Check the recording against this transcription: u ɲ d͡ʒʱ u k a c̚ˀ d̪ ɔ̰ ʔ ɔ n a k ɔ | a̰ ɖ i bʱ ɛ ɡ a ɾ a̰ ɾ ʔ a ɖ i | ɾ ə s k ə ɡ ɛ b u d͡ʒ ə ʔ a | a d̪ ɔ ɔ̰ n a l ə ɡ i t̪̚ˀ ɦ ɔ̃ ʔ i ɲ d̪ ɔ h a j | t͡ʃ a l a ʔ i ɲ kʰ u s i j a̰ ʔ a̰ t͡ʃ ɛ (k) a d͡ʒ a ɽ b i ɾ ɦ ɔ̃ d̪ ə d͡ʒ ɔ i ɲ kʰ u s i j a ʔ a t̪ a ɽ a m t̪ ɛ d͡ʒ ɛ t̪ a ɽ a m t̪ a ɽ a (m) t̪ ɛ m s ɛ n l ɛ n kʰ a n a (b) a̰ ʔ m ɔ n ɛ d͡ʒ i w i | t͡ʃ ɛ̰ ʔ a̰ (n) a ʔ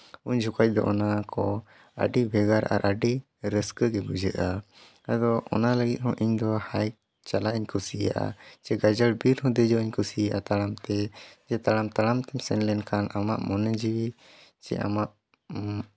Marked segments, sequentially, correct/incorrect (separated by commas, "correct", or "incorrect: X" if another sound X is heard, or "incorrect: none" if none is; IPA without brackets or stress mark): incorrect: ɡ, correct, incorrect: m, incorrect: m